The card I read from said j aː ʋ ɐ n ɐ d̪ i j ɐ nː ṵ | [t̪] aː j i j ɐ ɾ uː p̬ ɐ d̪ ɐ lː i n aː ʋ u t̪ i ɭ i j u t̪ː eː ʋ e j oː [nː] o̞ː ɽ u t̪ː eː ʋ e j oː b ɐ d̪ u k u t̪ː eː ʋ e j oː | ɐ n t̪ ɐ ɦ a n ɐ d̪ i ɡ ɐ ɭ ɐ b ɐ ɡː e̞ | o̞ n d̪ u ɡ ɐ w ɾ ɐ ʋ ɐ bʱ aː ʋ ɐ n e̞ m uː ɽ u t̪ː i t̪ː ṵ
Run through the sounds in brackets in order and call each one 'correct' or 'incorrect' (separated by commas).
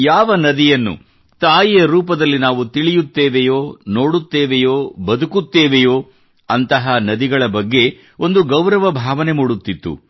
correct, incorrect